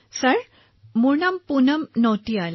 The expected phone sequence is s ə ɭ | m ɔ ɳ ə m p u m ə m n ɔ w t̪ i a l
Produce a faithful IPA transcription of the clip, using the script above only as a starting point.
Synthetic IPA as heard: s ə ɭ | m u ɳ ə m p u n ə m n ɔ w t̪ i a l